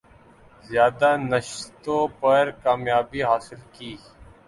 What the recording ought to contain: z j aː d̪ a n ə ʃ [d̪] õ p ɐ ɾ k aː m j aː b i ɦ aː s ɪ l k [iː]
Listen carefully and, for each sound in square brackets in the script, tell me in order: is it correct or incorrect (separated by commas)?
incorrect, correct